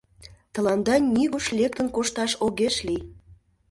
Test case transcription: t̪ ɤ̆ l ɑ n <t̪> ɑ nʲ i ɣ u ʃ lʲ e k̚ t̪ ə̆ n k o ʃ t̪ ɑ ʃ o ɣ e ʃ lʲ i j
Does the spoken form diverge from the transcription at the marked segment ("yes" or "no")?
yes